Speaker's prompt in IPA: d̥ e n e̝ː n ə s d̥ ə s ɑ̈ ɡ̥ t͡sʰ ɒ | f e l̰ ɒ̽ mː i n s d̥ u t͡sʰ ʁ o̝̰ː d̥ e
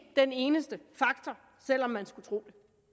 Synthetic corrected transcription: d̥ e n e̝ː n ə s d̥ ə f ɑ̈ ɡ̥ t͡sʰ ɒ | s e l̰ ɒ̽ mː æ n s ɡ̥ u t͡sʰ ʁ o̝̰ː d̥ e